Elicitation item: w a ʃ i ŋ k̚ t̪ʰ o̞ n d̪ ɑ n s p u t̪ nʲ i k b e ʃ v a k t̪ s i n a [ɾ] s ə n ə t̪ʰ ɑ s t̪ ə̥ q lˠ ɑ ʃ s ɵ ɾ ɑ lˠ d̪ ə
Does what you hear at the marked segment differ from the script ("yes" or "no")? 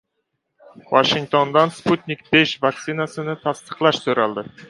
yes